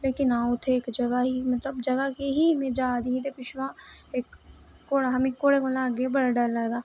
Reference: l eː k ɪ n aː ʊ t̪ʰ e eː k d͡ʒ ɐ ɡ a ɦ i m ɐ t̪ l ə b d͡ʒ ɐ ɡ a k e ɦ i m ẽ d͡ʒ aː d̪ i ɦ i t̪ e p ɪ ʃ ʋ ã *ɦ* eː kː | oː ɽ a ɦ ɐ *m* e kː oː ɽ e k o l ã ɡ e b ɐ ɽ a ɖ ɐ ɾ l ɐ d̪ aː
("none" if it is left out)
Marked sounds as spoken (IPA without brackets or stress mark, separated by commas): none, m